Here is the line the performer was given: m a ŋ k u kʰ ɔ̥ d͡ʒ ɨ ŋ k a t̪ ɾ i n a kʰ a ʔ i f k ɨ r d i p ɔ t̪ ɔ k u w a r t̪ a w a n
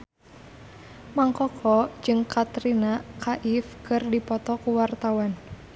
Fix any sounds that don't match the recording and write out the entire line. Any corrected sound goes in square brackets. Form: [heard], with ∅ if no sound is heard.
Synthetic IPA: m a ŋ k [ɔ] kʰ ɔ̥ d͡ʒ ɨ ŋ k a t̪ ɾ i n a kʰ a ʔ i f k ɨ r d i p ɔ t̪ ɔ k u w a r t̪ a w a n